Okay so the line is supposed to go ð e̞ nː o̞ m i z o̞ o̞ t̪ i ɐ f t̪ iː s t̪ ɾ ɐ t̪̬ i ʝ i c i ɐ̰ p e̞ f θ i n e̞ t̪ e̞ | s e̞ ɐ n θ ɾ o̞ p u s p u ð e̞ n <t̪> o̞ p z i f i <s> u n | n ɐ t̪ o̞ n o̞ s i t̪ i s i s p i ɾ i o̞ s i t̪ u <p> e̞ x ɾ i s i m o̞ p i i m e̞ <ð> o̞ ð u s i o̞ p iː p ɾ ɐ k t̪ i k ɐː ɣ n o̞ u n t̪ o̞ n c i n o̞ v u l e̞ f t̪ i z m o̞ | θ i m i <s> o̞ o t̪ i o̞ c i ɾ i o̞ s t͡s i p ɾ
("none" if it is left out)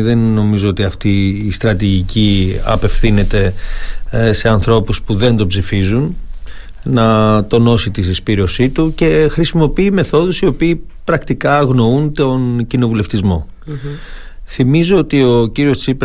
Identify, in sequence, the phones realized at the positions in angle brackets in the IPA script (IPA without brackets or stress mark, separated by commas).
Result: d̪, z, c, θ, z